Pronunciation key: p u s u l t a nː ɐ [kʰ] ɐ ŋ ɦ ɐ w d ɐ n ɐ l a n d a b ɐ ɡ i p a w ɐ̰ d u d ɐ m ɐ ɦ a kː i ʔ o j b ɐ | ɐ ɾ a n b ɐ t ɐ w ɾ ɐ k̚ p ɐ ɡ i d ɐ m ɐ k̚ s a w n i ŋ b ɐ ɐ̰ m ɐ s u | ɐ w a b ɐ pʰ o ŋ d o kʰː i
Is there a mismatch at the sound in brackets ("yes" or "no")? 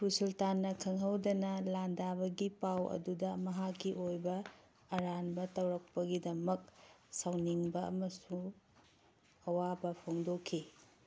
no